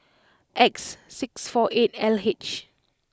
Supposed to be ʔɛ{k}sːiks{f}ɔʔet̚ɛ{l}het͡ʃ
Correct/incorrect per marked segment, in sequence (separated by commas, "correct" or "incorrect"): correct, correct, correct